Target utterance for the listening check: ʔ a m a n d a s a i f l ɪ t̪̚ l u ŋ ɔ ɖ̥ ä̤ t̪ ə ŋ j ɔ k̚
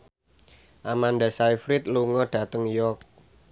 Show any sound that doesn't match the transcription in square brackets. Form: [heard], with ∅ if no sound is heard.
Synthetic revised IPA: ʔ a m a n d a s a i f [ɾ] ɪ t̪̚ l u ŋ ɔ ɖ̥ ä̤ t̪ ə ŋ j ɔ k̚